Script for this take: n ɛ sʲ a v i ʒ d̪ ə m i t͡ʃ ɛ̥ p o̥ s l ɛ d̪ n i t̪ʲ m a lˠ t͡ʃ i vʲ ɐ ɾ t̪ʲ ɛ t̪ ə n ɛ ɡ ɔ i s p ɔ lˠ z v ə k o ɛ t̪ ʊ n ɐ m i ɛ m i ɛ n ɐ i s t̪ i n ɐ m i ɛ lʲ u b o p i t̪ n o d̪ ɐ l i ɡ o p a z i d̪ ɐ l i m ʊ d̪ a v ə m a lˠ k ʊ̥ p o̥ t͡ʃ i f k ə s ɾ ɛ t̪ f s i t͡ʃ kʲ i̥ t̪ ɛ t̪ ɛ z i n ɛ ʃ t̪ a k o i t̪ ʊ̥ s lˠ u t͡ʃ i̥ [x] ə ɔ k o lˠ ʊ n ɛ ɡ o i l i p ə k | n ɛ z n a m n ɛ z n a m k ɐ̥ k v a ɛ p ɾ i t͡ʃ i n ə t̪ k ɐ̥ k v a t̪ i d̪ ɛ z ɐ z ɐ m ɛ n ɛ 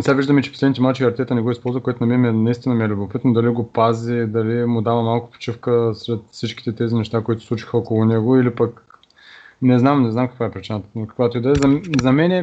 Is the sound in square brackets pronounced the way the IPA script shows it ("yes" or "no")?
yes